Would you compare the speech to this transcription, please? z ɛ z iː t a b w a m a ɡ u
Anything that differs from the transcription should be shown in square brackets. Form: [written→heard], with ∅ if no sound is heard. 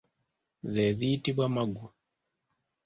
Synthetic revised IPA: z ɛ z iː t [a→i] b w a m a ɡ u